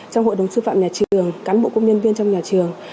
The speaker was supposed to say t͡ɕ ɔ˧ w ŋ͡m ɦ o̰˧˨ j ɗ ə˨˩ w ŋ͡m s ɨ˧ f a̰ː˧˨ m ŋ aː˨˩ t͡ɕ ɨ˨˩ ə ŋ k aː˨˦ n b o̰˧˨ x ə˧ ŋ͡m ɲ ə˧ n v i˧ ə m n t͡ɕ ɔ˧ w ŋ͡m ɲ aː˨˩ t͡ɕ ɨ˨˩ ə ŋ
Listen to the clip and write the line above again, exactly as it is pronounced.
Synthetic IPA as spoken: t͡ɕ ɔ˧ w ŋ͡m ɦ o̰˧˨ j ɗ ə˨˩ w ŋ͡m s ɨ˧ f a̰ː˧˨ m ɲ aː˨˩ t͡ɕ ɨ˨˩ ə ŋ k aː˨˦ n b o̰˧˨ k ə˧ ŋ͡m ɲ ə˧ n v i˧ ə n t͡ɕ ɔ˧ w ŋ͡m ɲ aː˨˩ t͡ɕ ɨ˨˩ ə ŋ